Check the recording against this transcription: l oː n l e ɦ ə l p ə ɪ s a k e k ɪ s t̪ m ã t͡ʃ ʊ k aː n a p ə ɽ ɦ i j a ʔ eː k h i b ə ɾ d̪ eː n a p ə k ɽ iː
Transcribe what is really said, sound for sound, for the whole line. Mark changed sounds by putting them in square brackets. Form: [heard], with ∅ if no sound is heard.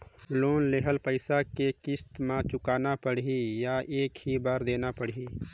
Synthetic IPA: l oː n l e ɦ ə l p ə ɪ s a k e k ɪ s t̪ m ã t͡ʃ ʊ k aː n a p ə ɽ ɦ i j a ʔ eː k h i b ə ɾ d̪ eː n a p ə [∅] ɽ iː